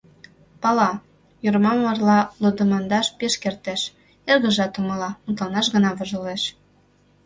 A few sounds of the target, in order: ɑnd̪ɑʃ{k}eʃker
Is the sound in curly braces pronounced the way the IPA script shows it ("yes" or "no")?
no